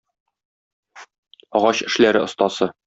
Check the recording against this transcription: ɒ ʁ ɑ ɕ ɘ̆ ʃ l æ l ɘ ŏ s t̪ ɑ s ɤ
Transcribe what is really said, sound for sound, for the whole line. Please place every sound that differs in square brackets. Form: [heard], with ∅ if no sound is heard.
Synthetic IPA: ɒ ʁ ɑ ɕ ɘ̆ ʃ l æ [ɾ] ɘ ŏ s t̪ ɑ s ɤ